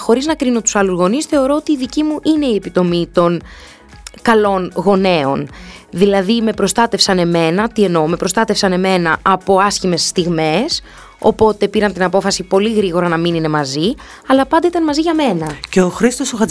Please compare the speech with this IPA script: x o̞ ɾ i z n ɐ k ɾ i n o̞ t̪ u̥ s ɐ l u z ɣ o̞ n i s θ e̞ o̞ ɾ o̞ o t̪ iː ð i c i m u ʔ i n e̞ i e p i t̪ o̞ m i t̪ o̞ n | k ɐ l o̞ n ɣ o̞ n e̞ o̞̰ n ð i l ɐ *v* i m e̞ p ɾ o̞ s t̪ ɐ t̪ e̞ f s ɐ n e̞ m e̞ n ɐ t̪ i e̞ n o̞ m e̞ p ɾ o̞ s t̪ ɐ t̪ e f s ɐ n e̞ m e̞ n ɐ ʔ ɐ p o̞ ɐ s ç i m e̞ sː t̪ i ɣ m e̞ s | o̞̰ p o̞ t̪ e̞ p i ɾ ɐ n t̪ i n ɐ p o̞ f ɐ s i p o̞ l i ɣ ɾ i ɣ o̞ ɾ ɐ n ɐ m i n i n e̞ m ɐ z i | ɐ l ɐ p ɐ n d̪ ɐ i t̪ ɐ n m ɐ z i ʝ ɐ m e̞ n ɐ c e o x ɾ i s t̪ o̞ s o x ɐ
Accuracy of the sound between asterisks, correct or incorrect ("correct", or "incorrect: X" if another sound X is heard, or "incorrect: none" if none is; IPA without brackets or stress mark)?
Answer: incorrect: ð